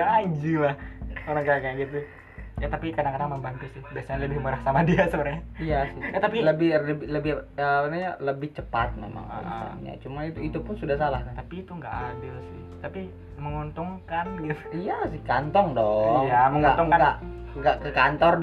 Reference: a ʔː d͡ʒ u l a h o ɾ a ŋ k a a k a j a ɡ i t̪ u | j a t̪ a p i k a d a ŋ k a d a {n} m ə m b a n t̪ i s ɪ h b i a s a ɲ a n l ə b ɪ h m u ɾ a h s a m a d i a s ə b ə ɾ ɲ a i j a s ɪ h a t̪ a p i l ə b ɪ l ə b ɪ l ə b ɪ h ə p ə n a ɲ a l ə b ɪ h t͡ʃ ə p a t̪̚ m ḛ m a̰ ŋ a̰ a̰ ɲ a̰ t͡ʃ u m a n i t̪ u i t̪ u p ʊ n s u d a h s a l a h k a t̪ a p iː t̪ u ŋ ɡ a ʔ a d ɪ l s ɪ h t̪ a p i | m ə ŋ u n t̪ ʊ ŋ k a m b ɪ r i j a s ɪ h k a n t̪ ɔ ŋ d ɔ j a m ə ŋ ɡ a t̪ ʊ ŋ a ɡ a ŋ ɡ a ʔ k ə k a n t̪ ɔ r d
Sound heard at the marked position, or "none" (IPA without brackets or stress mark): ŋ